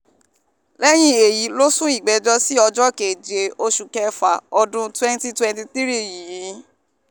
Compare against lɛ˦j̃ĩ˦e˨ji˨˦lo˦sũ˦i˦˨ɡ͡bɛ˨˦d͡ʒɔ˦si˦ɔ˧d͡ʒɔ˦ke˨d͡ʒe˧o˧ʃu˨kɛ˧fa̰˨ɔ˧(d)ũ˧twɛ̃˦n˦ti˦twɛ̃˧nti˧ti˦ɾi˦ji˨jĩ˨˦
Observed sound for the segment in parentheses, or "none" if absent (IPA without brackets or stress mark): d